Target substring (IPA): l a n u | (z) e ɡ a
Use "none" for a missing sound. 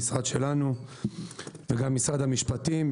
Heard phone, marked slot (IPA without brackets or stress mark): v